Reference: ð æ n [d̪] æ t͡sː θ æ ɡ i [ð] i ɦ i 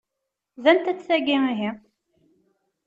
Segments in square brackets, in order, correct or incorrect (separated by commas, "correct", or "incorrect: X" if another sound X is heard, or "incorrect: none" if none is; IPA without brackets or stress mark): incorrect: t̪, incorrect: none